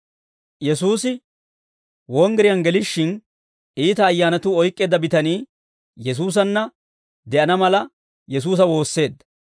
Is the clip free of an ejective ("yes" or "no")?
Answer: no